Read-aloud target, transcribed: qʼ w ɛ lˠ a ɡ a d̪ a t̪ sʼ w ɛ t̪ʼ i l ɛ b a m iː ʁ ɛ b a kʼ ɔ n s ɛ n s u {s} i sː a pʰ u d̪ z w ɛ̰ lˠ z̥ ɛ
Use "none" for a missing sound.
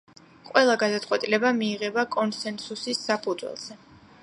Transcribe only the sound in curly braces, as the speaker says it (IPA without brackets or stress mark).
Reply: s